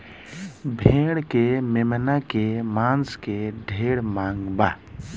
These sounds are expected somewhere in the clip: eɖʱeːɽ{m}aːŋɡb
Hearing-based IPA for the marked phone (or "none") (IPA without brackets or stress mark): m